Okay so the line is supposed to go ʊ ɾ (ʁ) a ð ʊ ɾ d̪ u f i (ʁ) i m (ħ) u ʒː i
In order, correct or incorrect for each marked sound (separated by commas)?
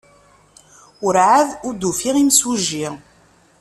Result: incorrect, correct, incorrect